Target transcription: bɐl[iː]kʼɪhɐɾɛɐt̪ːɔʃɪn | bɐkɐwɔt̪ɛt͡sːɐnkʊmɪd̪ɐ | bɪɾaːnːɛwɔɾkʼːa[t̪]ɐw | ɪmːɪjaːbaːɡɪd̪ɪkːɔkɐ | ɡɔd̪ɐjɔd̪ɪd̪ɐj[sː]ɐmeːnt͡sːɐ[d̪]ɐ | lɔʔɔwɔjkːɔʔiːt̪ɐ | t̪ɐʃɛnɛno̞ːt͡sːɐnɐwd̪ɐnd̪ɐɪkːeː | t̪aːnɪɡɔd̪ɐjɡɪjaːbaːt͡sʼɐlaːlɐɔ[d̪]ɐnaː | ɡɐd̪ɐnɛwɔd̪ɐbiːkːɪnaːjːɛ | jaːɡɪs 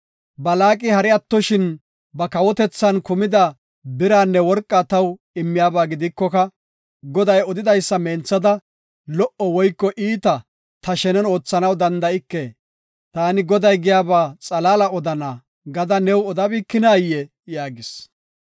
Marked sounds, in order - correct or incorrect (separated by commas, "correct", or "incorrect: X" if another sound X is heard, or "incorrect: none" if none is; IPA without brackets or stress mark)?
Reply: incorrect: aː, correct, correct, correct, correct